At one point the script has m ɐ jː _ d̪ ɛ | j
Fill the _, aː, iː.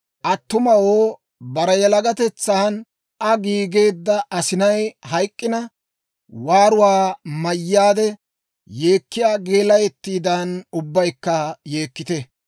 aː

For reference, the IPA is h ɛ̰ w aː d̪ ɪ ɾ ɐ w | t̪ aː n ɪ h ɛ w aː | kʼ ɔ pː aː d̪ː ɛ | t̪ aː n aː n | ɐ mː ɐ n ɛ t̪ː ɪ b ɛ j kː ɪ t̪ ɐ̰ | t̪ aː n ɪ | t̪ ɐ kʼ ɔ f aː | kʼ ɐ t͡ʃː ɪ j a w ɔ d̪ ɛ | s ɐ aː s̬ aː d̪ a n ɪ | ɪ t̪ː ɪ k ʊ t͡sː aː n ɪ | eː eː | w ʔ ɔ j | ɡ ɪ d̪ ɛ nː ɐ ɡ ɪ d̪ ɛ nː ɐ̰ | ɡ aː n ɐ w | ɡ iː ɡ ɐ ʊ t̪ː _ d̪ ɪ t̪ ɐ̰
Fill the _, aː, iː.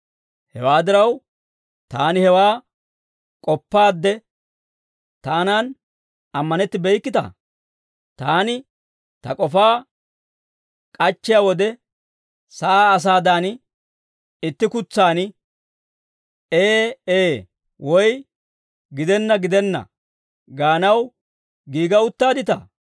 aː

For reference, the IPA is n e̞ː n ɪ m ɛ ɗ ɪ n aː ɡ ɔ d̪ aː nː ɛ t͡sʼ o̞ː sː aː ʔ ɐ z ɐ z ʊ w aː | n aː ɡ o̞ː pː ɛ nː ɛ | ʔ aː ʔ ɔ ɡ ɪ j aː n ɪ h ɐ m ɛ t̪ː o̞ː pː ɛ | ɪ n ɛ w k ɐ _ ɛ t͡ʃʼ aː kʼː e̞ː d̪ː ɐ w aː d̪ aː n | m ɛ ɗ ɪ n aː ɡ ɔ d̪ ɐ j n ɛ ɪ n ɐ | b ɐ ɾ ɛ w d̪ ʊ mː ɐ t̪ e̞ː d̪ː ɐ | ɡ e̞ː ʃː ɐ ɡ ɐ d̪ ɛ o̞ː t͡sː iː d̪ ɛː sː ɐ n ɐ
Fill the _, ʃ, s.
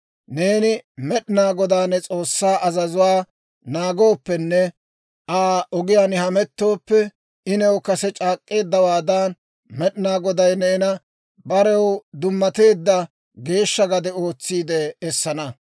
s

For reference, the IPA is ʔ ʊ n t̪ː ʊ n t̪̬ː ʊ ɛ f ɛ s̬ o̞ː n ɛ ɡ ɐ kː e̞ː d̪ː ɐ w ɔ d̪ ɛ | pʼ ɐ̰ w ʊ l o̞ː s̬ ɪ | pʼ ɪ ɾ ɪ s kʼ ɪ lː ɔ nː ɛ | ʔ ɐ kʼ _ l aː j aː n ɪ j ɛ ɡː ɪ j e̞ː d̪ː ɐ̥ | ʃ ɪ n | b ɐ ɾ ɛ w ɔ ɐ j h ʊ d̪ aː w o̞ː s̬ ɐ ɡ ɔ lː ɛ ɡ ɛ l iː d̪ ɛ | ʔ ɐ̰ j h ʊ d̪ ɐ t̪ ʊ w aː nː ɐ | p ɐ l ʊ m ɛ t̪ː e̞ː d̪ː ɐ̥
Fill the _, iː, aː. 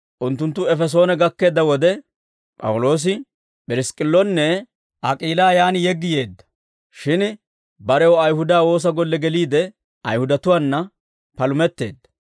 iː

